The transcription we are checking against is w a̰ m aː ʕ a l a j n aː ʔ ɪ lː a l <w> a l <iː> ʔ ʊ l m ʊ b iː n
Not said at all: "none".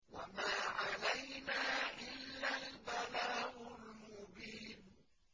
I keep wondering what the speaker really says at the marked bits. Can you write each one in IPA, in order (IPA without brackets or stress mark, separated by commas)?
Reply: b, aː